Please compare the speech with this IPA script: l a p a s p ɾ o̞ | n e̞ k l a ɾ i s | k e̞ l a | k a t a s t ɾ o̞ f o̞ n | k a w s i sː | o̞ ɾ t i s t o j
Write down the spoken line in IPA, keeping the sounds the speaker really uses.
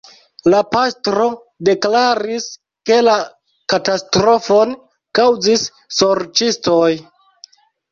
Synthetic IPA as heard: l a p a s t ɾ o̞ | d e̞ k l a ɾ i s | k e̞ l a | k a t a s t ɾ o̞ f o̞ n | k a w z i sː | o̞ ɾ t͡ʃ i s t o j